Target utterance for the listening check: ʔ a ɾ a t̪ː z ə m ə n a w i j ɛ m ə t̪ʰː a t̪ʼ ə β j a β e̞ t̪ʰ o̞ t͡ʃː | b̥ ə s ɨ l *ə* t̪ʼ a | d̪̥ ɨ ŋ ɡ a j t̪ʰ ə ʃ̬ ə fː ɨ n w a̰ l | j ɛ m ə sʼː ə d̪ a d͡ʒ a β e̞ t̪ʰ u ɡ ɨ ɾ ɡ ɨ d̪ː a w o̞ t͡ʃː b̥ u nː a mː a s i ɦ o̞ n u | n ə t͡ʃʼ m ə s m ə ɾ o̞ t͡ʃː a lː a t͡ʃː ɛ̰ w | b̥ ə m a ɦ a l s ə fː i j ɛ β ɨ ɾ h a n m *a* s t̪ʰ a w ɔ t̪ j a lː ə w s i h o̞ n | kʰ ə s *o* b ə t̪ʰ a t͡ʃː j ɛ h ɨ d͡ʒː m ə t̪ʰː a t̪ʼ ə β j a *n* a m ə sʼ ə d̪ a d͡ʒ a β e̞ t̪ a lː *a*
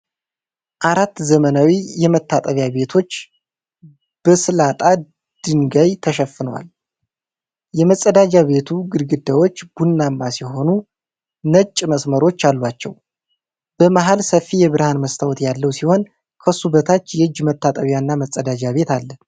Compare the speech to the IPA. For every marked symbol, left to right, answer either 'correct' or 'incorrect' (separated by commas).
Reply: incorrect, incorrect, incorrect, incorrect, incorrect